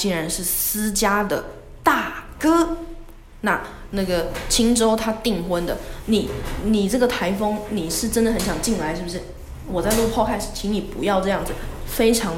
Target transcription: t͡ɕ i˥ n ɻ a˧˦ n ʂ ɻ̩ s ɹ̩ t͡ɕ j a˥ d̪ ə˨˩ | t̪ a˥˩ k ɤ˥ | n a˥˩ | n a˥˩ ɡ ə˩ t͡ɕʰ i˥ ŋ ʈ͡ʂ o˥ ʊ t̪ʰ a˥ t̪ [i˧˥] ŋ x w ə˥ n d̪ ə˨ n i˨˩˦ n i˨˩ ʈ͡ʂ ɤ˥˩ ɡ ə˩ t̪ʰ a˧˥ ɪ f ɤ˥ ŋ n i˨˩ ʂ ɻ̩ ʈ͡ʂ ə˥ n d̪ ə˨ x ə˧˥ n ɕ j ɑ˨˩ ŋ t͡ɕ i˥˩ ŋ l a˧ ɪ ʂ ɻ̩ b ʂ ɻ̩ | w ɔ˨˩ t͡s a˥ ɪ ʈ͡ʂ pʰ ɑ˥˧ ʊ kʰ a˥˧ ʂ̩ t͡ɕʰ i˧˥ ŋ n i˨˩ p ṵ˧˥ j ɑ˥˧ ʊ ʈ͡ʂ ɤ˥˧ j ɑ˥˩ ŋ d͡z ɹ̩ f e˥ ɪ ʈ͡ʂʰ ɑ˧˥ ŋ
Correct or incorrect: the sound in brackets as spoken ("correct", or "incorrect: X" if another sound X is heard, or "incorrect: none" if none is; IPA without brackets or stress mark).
incorrect: i˥˩